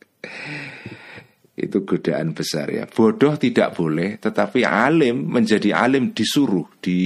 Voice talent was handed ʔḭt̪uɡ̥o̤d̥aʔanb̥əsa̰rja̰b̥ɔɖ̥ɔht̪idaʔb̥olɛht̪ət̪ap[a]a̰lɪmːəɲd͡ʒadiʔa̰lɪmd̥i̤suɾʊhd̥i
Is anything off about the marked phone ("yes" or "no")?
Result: yes